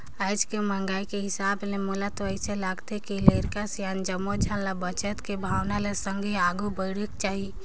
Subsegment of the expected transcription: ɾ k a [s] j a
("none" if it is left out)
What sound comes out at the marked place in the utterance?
s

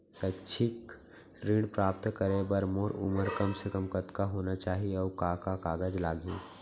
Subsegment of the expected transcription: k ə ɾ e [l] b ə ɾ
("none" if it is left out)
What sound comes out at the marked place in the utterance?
none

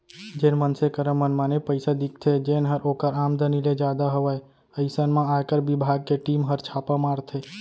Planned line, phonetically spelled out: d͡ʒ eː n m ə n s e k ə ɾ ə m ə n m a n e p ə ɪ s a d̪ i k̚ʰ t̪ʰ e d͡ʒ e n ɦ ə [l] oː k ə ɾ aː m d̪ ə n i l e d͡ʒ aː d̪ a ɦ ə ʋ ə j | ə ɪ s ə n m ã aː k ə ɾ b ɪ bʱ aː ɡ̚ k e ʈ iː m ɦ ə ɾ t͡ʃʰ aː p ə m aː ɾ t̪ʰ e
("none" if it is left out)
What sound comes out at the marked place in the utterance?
ɾ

